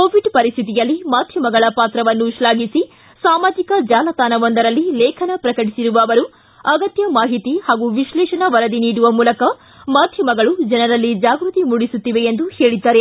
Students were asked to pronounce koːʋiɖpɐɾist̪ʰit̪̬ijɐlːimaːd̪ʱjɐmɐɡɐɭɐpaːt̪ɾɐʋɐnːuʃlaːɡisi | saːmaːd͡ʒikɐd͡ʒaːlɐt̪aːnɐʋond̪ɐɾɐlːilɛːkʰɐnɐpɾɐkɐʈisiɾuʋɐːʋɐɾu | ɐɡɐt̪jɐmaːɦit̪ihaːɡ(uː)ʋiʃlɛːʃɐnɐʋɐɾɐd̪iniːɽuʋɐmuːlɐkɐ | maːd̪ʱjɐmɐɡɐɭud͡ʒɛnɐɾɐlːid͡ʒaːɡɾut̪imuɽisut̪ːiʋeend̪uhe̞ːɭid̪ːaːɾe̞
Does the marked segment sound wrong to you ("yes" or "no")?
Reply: yes